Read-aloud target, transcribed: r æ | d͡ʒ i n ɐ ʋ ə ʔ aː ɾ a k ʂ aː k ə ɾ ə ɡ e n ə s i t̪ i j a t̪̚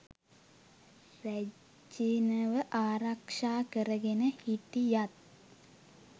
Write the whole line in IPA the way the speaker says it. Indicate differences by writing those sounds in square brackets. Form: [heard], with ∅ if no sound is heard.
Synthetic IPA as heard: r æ | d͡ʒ i n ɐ ʋ ə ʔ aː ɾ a k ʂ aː k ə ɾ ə ɡ e n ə [h] i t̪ i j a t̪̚